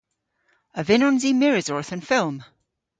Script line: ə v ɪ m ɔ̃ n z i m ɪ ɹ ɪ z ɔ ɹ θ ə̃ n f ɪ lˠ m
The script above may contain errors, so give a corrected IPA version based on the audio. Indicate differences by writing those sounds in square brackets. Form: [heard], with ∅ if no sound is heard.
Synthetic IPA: ə v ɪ [n] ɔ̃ n z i m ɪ ɹ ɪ z ɔ ɹ θ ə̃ n f ɪ lˠ m